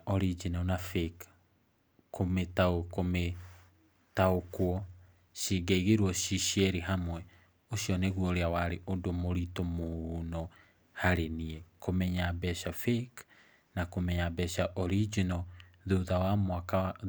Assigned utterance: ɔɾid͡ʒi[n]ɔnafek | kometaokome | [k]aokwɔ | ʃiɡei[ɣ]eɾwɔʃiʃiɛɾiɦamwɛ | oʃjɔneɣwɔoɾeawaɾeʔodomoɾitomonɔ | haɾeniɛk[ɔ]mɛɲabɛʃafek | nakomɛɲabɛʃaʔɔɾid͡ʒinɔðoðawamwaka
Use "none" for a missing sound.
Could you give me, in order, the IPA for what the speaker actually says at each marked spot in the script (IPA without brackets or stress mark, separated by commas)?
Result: n, t, ɣ, o